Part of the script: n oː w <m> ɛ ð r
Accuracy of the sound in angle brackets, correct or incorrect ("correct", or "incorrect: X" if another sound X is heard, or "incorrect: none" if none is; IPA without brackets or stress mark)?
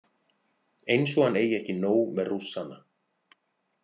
correct